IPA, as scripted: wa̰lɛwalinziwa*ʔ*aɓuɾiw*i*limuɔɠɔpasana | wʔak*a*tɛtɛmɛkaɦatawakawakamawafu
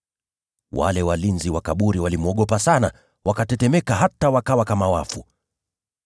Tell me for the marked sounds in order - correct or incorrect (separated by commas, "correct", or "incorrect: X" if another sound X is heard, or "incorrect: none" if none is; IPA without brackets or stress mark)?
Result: incorrect: k, incorrect: a, correct